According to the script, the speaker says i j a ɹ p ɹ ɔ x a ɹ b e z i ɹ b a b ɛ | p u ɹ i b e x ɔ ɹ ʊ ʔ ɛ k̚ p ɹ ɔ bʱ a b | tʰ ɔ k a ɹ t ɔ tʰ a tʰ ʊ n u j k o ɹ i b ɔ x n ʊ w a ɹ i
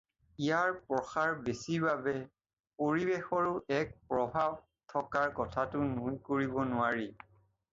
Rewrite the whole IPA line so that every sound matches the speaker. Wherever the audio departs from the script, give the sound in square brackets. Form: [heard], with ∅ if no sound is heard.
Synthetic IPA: i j a ɹ p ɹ ɔ x a ɹ b e [s] i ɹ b a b ɛ | p [o] ɹ i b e x ɔ ɹ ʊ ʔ ɛ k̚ p ɹ ɔ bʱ a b | tʰ ɔ k a ɹ [k] ɔ tʰ a [t] ʊ n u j k o ɹ i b ɔ [∅] n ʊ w a ɹ i